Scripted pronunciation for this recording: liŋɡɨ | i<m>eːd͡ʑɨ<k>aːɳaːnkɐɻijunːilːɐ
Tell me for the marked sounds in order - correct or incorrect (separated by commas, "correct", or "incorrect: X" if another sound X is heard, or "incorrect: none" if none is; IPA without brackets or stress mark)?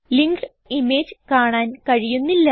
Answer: correct, correct